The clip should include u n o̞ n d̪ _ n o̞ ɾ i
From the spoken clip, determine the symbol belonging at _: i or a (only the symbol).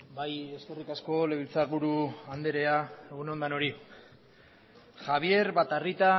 a